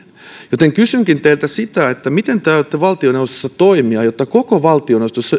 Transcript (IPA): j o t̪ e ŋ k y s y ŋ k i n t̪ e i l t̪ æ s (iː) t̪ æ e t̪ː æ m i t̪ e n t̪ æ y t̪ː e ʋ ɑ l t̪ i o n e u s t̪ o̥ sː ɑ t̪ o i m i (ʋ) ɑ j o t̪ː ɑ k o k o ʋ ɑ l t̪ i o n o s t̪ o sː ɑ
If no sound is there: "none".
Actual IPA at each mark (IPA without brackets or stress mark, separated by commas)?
i, none